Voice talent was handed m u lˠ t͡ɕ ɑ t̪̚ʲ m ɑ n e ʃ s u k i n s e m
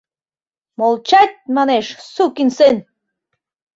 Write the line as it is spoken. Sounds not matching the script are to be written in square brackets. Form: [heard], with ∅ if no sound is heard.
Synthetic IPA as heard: m [o] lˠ t͡ɕ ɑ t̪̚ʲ m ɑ n e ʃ s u k i n s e [n]